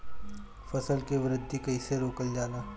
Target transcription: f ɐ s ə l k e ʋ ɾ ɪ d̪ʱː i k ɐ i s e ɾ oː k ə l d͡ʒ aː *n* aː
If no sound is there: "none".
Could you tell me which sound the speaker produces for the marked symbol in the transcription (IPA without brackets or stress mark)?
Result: n